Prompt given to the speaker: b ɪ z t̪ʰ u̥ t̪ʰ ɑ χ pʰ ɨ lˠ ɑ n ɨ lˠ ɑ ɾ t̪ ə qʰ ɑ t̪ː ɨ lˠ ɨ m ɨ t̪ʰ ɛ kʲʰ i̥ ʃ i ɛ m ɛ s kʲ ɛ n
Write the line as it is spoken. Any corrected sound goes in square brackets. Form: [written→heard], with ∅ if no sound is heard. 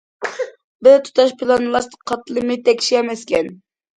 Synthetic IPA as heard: b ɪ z t̪ʰ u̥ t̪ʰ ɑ [χ→ʃ] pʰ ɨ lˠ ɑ n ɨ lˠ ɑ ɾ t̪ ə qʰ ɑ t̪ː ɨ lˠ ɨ m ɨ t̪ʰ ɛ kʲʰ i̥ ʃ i ɛ m ɛ s kʲ ɛ n

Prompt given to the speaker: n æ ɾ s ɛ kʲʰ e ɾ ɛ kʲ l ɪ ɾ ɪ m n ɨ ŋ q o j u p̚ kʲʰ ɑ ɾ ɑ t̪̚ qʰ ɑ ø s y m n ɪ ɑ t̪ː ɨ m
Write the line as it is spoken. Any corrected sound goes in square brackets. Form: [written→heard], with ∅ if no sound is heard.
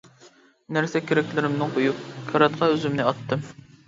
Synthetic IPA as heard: n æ ɾ s ɛ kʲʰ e ɾ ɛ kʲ l ɪ ɾ ɪ m n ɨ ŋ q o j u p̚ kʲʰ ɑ ɾ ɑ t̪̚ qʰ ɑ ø [s→z] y m n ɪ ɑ t̪ː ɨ m

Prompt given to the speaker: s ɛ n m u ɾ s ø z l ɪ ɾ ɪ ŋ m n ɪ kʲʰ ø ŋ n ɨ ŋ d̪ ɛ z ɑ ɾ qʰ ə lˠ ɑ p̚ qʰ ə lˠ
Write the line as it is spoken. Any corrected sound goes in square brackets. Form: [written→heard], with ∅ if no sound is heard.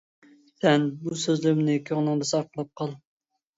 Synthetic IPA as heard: s ɛ n [m→b] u [ɾ→∅] s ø z l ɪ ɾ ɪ [ŋ→∅] m n ɪ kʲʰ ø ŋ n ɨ ŋ d̪ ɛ [z→s] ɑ ɾ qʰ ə lˠ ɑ p̚ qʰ [ə→ɑ] lˠ

